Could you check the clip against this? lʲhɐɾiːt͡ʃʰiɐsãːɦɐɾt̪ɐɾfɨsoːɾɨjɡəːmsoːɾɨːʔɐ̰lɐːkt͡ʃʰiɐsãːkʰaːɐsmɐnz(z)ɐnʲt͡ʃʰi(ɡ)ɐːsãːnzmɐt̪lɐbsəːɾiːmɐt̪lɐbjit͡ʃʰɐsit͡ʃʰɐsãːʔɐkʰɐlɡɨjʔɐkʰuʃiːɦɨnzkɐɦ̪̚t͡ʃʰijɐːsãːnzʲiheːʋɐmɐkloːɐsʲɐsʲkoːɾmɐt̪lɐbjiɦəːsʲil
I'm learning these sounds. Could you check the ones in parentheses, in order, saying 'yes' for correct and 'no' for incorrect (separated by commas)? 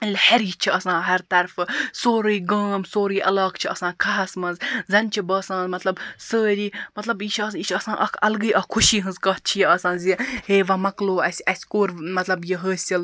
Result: yes, no